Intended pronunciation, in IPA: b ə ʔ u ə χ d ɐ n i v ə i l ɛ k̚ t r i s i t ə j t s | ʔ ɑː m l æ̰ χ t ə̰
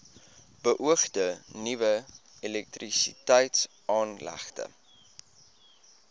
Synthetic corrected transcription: b ə ʔ u ə χ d ə n i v ə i l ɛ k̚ t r i s i t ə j t s | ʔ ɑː n l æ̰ χ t ə̰